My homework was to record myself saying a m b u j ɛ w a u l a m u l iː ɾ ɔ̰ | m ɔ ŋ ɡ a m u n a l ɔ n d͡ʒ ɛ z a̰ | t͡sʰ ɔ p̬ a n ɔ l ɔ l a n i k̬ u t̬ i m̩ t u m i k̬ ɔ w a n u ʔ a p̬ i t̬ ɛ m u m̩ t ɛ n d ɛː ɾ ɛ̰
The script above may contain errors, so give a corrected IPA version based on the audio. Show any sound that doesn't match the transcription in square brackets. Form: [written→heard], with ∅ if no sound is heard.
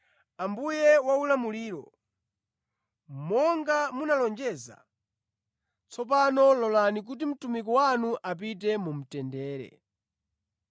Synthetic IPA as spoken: a m b u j ɛ w a u l a m u l iː ɾ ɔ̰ | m ɔ ŋ ɡ a m u n a l ɔ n d͡ʒ ɛ z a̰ | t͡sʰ ɔ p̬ a n ɔ l ɔ l a n i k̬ u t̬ i m̩ t u m i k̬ ɔ w a n u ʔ a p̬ i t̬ ɛ m u m̩ t ɛ n d ɛː ɾ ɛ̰